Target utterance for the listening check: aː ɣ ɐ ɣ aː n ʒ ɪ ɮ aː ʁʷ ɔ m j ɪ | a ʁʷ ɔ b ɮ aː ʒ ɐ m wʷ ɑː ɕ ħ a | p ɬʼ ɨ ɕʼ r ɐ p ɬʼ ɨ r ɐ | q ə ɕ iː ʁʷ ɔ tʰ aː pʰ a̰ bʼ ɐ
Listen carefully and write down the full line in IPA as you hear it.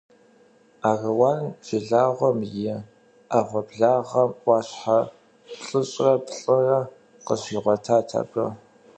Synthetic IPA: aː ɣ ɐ w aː n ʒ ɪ ɮ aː ʁʷ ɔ m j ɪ | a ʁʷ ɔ b ɮ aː ʁ ɐ m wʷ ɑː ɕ ħ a | p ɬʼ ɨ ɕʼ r ɐ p ɬʼ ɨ r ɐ | q ə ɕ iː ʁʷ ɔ tʰ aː tʰ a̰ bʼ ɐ